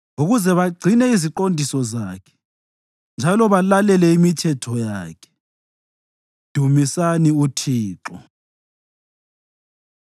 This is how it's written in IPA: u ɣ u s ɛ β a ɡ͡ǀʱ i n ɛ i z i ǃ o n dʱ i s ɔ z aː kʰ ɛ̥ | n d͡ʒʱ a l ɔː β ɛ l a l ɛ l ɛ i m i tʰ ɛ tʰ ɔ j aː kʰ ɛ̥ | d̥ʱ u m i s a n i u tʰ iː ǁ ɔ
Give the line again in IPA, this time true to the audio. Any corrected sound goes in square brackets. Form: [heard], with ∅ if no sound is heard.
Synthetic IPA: u ɣ u [z] ɛ β a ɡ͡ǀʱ i n ɛ i z i ǃ o n dʱ i s ɔ z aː kʰ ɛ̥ | n d͡ʒʱ a l [ɔ] β [a] l a l ɛ l ɛ i m i tʰ ɛ tʰ ɔ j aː kʰ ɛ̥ | d̥ʱ u m i s a n i u tʰ iː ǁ ɔ